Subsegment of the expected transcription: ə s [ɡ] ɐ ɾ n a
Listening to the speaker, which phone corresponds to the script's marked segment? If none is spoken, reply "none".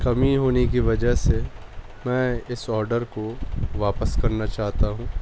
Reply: k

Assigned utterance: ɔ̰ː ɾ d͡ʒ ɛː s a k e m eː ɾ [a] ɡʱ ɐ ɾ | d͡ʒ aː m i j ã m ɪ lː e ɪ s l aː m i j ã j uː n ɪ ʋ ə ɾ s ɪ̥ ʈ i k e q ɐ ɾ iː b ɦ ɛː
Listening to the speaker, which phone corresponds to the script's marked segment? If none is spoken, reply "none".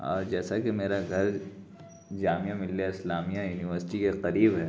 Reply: a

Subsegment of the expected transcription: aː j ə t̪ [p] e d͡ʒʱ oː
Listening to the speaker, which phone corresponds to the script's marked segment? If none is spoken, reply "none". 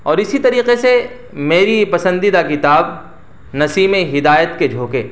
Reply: k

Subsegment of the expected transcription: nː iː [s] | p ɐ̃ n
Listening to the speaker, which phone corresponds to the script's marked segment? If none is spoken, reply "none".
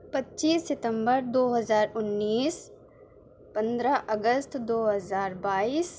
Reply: s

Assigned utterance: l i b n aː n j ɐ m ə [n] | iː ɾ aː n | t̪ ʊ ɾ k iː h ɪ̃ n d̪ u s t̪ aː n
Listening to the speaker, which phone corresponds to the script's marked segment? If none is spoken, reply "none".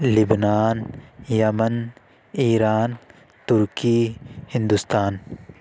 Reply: n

